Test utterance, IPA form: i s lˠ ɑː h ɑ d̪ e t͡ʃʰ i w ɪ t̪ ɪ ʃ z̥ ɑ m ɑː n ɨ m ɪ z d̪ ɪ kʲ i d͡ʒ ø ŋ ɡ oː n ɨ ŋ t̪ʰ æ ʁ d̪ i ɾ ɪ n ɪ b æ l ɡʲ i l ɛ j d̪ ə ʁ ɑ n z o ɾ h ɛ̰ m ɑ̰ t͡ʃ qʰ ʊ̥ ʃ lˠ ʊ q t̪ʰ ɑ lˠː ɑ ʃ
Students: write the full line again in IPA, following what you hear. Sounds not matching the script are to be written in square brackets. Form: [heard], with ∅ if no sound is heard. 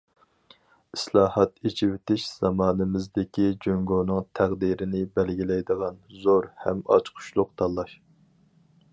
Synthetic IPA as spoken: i s lˠ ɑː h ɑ [t̪] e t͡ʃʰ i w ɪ t̪ ɪ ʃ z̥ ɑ m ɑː n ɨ m ɪ z d̪ ɪ kʲ i d͡ʒ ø ŋ ɡ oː n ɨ ŋ t̪ʰ æ ʁ d̪ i ɾ ɪ n ɪ b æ l ɡʲ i l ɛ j d̪ ə ʁ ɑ n z o ɾ h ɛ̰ m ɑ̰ t͡ʃ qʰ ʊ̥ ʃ lˠ ʊ q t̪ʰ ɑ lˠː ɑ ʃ